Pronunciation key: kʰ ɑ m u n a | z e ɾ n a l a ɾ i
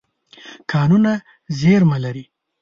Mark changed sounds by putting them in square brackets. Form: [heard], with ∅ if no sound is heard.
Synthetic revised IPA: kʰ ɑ [n] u n a | z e ɾ [m] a l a ɾ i